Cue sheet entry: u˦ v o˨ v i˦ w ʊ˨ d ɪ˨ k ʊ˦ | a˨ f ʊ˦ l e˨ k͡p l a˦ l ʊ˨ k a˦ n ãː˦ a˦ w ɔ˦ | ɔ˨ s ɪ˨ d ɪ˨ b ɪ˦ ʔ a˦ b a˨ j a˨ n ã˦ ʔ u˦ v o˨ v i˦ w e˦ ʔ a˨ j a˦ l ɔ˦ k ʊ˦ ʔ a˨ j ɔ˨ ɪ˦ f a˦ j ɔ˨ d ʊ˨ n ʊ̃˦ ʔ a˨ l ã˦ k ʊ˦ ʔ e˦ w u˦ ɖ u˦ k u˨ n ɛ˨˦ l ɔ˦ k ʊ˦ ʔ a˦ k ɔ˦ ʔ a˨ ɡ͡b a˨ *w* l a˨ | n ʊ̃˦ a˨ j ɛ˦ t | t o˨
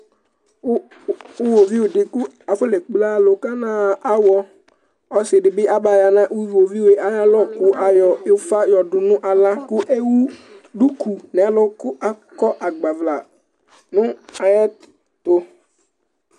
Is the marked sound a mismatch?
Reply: yes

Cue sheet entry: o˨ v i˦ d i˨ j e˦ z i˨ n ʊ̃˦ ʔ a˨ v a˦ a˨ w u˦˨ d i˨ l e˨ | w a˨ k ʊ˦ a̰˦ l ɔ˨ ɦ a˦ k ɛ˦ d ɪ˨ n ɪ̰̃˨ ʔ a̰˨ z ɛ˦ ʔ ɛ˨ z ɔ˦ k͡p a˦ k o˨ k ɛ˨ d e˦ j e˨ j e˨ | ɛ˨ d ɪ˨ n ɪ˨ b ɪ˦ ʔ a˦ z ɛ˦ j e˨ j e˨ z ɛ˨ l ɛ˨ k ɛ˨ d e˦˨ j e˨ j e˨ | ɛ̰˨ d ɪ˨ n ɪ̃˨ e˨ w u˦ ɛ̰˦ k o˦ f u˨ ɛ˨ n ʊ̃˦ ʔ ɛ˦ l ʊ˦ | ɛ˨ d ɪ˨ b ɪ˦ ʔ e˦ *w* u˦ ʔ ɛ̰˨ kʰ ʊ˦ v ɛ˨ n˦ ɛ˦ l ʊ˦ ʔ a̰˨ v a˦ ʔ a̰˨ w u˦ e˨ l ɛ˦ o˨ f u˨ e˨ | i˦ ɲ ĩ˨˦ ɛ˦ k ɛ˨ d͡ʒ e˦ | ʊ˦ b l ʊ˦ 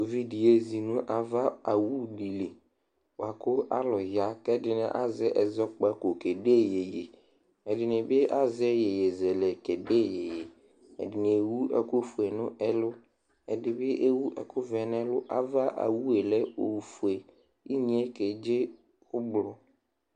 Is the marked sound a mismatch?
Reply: no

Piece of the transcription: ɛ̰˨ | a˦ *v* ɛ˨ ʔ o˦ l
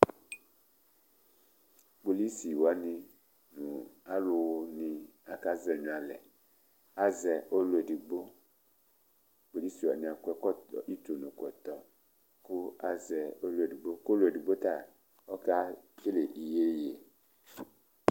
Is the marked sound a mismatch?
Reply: yes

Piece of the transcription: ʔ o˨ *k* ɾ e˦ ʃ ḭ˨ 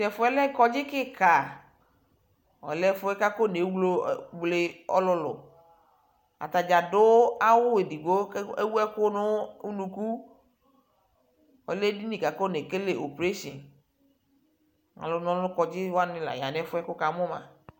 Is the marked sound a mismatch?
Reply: yes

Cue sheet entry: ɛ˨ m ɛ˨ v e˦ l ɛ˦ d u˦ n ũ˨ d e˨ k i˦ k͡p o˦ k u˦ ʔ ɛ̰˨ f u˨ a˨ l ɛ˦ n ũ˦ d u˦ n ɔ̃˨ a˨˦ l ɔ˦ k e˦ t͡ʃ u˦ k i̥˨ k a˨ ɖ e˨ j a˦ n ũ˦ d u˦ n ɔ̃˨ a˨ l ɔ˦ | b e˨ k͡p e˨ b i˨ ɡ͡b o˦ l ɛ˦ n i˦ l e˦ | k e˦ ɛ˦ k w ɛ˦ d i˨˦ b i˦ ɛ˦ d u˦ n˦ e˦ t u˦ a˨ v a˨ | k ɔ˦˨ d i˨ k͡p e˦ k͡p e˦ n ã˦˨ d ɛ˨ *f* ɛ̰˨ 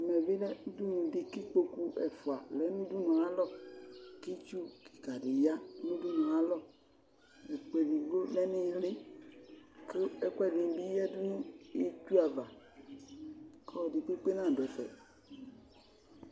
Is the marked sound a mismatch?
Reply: no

